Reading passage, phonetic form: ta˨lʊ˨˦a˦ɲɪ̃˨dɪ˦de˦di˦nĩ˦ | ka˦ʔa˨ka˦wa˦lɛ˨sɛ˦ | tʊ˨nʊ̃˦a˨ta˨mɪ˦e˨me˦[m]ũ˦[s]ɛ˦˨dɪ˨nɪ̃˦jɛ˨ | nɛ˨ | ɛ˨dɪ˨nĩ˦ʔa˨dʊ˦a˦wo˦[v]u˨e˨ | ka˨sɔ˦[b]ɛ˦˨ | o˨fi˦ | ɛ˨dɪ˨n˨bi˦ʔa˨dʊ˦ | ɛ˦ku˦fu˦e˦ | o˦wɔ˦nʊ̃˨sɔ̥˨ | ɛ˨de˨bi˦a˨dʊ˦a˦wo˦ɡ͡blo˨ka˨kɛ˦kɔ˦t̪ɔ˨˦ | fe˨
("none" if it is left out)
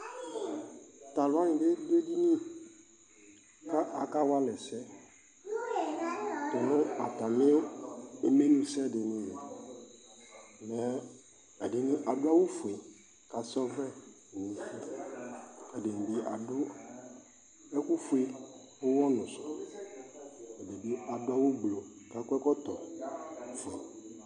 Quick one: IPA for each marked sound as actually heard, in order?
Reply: n, s, f, v

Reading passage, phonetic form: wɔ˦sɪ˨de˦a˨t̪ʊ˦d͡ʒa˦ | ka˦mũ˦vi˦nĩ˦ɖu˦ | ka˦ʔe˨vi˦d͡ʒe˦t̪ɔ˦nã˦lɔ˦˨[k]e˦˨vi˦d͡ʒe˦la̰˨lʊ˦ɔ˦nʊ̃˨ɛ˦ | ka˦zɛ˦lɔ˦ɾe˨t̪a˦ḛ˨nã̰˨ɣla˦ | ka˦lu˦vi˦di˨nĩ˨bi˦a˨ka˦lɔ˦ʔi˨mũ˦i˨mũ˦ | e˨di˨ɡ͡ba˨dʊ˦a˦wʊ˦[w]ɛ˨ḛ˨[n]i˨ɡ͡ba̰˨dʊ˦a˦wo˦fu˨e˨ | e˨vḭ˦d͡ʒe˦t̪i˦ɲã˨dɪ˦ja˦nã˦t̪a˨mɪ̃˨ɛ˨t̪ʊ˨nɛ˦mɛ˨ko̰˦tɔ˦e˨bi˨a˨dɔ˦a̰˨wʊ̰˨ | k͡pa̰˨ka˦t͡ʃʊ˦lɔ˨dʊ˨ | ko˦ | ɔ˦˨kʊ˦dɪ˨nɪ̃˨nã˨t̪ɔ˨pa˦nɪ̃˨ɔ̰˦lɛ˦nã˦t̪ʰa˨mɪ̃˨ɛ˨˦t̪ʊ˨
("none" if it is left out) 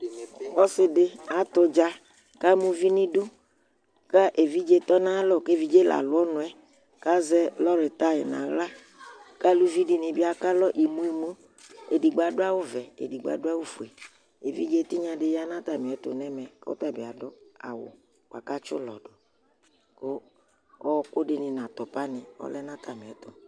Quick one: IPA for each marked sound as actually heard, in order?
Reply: k, v, d

